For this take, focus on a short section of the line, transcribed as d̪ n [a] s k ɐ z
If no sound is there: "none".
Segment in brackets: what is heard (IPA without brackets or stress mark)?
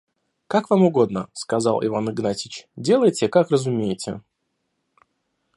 ə